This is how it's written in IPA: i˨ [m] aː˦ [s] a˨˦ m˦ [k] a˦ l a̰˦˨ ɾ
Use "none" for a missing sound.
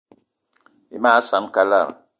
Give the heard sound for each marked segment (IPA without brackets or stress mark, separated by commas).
m, s, k